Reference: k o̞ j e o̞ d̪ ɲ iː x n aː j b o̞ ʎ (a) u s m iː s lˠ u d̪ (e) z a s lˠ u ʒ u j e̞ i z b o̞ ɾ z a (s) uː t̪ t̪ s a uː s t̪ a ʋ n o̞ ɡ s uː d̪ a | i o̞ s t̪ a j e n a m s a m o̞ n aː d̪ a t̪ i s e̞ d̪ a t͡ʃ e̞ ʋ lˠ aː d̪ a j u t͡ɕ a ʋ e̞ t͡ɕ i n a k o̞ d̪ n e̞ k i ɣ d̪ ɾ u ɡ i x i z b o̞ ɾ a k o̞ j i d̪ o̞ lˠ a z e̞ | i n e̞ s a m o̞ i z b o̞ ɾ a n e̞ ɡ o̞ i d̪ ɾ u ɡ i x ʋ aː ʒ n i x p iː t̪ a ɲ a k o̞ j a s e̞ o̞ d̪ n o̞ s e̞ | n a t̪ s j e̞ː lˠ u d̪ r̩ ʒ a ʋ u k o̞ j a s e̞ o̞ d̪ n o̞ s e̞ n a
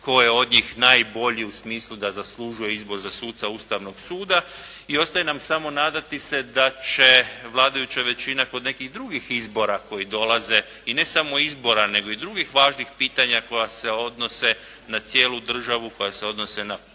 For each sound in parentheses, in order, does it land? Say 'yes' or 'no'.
no, no, yes

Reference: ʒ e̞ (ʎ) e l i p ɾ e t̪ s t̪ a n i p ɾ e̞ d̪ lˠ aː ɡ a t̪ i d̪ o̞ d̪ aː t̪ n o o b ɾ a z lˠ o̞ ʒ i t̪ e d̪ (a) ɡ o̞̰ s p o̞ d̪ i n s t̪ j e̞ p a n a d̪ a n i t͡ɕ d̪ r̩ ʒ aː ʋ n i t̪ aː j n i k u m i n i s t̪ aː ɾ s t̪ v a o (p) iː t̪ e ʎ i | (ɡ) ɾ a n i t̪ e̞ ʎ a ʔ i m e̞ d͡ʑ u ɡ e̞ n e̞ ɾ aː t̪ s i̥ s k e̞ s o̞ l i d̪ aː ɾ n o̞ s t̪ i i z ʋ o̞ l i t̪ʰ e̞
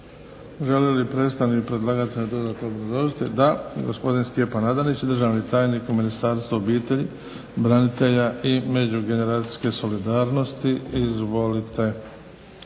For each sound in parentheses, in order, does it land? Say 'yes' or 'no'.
no, yes, no, no

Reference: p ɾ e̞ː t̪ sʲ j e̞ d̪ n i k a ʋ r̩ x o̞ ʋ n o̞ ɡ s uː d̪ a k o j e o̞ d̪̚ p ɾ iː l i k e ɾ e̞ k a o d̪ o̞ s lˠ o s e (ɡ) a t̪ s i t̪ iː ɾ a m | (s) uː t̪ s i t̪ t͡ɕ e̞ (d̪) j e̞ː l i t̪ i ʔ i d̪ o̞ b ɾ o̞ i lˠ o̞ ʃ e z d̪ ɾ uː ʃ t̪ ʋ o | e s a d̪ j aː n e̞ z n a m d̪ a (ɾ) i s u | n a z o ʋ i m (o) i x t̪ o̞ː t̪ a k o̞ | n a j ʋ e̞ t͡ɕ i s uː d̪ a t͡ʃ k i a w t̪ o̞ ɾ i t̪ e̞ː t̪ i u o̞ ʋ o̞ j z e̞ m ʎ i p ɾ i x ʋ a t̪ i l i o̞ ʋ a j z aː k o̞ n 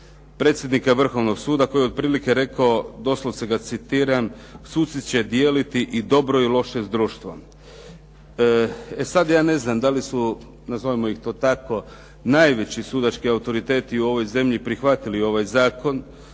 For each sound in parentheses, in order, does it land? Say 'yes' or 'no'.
yes, yes, yes, no, yes

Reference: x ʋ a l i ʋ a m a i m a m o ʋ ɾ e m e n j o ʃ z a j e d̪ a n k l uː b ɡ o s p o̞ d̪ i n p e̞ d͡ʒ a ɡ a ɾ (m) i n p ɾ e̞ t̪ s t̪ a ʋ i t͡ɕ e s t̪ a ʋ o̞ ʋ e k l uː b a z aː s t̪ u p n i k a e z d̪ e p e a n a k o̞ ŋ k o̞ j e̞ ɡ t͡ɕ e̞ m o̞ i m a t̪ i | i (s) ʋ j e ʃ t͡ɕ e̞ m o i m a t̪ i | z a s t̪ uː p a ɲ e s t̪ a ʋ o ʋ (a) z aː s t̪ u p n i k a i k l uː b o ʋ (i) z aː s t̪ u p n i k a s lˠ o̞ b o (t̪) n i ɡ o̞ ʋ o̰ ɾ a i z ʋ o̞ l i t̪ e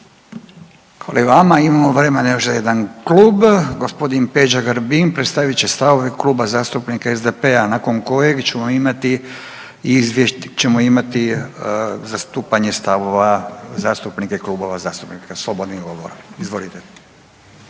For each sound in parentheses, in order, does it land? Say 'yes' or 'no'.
no, no, yes, no, no

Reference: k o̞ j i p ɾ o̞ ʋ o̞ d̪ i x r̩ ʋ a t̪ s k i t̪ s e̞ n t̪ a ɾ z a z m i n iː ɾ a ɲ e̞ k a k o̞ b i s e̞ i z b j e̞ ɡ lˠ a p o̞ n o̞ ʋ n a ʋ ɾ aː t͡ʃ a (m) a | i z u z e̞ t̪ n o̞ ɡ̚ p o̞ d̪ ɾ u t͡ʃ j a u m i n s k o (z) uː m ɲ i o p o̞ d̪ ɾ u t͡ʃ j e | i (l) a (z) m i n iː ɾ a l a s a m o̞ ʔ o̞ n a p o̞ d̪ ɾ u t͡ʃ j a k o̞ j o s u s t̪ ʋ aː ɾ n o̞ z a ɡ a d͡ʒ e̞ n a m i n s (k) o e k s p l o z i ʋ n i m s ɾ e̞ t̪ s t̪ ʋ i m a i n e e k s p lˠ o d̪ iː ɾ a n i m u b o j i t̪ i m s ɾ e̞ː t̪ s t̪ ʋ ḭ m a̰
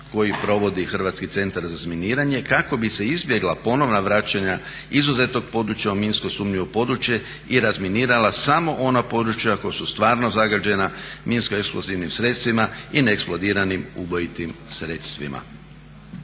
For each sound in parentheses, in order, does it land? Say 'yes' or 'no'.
no, no, no, yes, yes

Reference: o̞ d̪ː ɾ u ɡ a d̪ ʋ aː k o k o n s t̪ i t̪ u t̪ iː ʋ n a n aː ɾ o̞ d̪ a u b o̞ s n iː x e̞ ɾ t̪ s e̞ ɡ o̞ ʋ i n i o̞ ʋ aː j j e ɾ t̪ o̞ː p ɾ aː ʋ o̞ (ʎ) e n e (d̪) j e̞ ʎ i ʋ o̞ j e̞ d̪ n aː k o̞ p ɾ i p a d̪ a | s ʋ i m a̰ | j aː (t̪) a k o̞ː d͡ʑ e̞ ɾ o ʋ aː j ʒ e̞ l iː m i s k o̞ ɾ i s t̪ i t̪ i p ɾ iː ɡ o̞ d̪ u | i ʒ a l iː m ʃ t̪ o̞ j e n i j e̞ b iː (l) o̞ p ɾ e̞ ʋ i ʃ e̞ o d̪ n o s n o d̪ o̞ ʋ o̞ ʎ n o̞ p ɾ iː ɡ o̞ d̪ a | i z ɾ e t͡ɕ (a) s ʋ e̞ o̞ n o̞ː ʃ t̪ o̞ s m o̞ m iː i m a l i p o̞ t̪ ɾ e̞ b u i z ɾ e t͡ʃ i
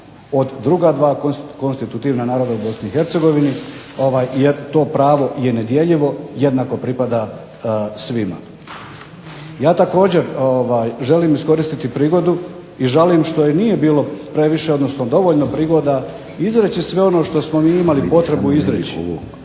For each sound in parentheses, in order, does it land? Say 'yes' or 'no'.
no, yes, yes, yes, no

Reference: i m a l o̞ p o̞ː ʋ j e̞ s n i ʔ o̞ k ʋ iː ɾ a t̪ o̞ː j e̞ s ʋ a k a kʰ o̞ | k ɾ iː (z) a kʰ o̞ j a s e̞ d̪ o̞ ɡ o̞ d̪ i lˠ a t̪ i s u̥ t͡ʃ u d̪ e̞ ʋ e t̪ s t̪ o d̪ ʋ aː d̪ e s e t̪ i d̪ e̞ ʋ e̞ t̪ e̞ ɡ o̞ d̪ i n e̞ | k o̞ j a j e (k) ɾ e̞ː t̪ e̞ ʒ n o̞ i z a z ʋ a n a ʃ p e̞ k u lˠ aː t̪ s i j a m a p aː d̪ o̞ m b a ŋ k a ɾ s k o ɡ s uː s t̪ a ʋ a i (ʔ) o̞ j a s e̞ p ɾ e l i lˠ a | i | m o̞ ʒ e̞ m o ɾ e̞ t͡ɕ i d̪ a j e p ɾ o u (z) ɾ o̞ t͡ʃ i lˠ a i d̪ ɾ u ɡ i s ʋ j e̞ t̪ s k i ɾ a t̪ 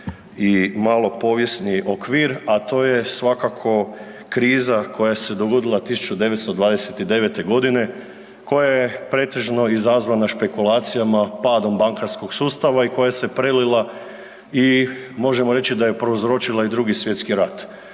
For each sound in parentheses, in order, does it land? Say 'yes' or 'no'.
yes, no, no, yes

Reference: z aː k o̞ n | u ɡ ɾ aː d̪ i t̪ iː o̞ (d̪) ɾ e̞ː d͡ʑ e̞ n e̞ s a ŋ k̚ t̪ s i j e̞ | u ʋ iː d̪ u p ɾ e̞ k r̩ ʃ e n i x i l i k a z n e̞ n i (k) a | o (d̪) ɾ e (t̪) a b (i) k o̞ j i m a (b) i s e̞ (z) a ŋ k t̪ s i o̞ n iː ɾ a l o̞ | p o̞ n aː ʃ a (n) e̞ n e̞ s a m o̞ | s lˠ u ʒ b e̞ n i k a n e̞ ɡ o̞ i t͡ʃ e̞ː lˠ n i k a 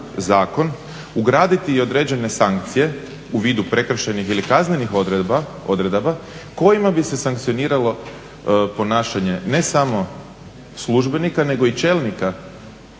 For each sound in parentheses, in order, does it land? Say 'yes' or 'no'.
yes, no, yes, no, no, yes, no, no

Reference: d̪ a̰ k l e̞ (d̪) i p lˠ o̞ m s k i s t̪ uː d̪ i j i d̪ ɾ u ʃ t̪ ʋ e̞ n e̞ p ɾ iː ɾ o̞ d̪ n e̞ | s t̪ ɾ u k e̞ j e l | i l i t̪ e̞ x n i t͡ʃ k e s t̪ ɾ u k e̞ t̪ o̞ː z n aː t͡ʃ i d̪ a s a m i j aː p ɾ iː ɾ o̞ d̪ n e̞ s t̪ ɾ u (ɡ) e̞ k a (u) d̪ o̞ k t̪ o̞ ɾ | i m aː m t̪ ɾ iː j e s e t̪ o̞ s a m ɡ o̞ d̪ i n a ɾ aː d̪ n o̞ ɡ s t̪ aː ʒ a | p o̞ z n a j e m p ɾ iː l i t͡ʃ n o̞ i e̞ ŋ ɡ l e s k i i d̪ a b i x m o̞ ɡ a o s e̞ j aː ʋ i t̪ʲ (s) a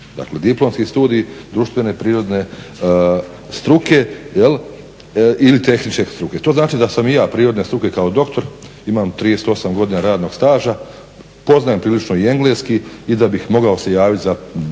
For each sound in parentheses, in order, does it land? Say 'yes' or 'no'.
yes, no, no, no

